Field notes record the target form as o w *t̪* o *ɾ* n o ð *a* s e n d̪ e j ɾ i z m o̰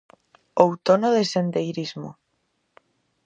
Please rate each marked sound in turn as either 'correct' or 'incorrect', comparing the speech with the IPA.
correct, incorrect: none, incorrect: e

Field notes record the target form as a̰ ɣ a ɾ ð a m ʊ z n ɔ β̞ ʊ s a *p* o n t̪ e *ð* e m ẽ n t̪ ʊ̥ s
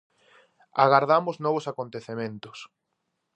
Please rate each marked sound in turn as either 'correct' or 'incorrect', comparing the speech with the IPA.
incorrect: k, incorrect: θ

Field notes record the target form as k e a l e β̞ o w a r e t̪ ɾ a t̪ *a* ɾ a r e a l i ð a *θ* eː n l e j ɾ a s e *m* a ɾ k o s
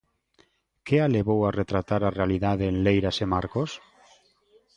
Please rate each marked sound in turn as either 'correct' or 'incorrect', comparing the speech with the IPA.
correct, incorrect: ð, correct

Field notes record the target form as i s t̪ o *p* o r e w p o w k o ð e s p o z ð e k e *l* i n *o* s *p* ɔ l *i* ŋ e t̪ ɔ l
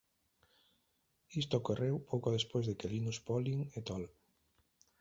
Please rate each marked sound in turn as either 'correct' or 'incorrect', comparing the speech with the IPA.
incorrect: k, correct, incorrect: u, correct, correct

